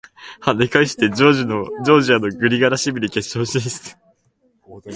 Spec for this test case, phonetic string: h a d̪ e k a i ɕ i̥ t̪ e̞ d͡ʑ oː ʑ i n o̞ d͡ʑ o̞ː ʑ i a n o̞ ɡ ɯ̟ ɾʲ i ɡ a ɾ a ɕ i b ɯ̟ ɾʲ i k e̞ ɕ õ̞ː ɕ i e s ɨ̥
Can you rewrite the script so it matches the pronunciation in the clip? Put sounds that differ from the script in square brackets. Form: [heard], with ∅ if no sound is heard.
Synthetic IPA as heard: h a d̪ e k a i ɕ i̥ t̪ e̞ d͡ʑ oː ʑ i n o̞ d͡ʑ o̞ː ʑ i a n o̞ ɡ ɯ̟ ɾʲ i ɡ a ɾ a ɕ i b ɯ̟ ɾʲ i k e̞ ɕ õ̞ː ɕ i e s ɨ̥